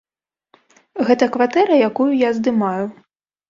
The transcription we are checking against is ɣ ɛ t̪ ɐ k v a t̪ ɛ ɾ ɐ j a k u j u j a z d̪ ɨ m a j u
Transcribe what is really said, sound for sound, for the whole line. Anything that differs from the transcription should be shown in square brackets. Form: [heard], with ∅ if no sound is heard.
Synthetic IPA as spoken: ɣ ɛ t̪ ɐ k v a t̪ ɛ ɾ ɐ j a k u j u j a z d̪ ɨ m a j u